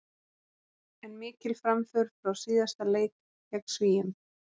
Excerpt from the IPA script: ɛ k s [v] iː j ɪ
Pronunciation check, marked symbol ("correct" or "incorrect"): correct